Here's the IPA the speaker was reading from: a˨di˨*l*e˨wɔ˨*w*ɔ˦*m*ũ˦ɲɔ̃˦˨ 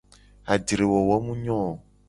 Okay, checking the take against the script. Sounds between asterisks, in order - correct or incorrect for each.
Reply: incorrect: ɾ, correct, correct

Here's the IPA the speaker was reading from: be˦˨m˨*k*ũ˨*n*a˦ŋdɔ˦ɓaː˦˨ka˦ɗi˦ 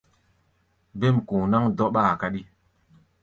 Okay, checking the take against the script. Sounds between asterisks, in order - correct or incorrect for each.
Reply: correct, correct

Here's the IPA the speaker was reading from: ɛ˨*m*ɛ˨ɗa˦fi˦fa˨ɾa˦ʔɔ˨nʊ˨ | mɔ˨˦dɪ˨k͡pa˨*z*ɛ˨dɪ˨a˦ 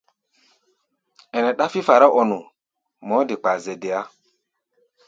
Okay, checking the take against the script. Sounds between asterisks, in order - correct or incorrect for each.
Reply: incorrect: n, correct

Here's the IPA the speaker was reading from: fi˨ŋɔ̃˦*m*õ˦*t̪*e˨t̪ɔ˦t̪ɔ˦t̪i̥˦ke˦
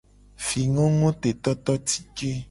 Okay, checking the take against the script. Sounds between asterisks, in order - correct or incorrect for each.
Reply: incorrect: ŋ, correct

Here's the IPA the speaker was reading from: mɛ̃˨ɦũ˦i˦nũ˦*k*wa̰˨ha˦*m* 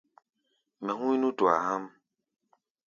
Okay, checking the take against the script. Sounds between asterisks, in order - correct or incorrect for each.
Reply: incorrect: t, correct

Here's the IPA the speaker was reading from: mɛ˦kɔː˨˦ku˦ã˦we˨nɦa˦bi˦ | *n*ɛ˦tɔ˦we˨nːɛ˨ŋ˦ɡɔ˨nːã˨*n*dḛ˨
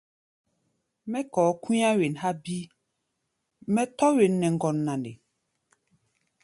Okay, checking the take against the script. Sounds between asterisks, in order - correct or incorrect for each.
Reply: incorrect: m, correct

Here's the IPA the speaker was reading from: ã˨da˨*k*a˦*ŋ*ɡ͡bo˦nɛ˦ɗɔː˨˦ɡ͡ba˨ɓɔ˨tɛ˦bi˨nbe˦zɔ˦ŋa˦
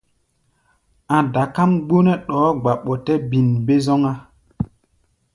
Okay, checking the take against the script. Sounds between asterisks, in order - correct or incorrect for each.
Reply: correct, incorrect: m

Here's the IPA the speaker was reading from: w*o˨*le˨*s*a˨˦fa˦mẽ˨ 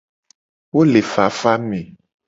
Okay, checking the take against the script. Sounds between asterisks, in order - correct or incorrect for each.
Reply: incorrect: o˦, incorrect: f

